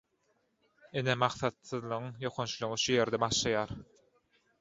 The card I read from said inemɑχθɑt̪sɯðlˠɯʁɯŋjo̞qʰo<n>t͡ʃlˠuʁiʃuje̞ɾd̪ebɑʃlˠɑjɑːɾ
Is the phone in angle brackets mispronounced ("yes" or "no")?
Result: no